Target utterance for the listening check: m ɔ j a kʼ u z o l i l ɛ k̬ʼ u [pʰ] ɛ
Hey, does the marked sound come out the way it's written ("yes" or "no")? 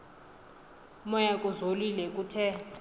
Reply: no